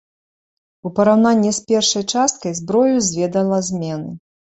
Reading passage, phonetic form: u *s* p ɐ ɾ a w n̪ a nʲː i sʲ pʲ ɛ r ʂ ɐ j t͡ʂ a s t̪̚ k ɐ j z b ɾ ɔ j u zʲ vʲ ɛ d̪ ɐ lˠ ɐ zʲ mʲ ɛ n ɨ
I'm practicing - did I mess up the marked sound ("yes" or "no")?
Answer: yes